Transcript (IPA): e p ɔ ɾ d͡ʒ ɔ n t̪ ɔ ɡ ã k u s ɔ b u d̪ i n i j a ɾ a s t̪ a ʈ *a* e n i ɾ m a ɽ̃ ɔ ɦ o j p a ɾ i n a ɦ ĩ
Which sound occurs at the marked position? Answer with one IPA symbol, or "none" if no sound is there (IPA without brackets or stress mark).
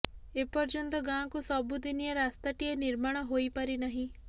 i